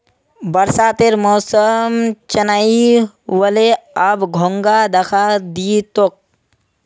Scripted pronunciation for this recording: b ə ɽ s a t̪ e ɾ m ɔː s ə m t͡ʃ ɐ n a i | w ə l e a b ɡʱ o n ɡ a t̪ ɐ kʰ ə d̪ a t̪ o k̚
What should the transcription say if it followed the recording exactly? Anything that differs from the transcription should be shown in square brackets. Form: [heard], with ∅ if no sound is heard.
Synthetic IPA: b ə [ɾ] s a t̪ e ɾ m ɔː s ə m t͡ʃ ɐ n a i | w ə l e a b ɡʱ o [ŋ] ɡ a [d̪] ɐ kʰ [a] d̪ [i] t̪ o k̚